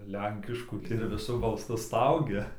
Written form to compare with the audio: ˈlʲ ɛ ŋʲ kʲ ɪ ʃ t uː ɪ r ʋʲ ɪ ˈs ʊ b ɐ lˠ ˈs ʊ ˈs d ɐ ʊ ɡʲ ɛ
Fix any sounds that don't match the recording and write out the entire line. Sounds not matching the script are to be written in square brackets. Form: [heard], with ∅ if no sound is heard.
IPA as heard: ˈlʲ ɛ ŋʲ kʲ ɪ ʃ [k] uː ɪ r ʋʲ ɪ ˈs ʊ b ɐ lˠ ˈs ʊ ˈs [t] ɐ ʊ ɡʲ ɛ